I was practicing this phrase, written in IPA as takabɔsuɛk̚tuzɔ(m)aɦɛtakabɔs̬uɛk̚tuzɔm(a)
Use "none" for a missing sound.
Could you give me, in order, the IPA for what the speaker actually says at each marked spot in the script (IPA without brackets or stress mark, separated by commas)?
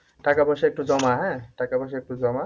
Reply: m, a